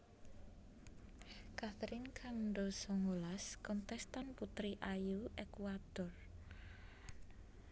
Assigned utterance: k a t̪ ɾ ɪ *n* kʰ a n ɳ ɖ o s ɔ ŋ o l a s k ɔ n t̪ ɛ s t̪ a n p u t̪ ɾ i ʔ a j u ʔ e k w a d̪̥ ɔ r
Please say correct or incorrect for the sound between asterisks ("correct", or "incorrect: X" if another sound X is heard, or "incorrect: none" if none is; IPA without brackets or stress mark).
correct